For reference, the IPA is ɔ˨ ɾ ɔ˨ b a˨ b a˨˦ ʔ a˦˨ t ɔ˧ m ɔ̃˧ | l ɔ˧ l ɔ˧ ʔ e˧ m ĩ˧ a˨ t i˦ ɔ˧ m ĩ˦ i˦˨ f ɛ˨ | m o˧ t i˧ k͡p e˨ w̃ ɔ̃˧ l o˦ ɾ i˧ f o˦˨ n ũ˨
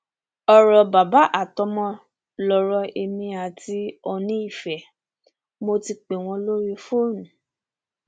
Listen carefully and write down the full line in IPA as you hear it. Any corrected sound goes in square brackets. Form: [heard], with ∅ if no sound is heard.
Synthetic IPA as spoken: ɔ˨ ɾ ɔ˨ b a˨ b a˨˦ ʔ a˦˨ t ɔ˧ m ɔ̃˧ | l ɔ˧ [ɾ] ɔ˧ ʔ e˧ m ĩ˧ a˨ t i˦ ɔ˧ [n] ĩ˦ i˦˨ f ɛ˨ | m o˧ t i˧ k͡p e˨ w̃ ɔ̃˧ l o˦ ɾ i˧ f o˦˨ n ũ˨